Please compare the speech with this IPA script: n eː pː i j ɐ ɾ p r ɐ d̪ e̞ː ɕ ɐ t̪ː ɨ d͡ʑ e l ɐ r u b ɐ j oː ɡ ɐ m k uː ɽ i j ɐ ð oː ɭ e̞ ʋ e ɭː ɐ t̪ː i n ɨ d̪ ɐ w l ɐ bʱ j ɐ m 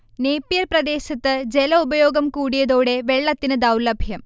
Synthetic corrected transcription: n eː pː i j ɐ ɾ p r ɐ d̪ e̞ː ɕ ɐ t̪ː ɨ d͡ʑ e l ɐ u b ɐ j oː ɡ ɐ m k uː ɽ i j ɐ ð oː ɽ e̞ ʋ e ɭː ɐ t̪ː i n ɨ d̪ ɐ w l ɐ bʱ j ɐ m

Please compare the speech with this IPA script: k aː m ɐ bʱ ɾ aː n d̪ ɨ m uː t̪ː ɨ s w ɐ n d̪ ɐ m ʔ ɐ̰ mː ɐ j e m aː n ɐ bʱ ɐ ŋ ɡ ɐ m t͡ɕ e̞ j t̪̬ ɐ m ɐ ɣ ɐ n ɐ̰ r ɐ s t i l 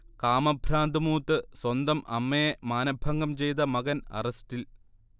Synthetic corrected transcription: k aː m ɐ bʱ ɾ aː n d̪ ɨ m uː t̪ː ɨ s w ɐ n d̪ ɐ m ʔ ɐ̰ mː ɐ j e m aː n ɐ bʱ ɐ ŋ ɡ ɐ m t͡ɕ e̞ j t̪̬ ɐ m ɐ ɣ ɐ n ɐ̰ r ɐ s t i l

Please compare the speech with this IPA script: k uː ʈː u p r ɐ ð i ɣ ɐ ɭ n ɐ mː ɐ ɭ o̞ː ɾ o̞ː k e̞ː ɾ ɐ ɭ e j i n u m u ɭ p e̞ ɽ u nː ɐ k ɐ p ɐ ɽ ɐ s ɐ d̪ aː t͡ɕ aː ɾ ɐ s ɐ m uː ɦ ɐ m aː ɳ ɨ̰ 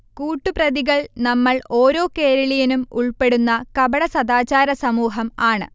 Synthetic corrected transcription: k uː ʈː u p r ɐ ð i ɣ ɐ ɭ n ɐ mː ɐ ɭ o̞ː ɾ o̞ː k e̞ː ɾ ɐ ɭ i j i n u m u ɭ p e̞ ɽ u nː ɐ k ɐ b ɐ ɽ ɐ s ɐ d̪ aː t͡ɕ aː ɾ ɐ s ɐ m uː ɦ ɐ m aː ɳ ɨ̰

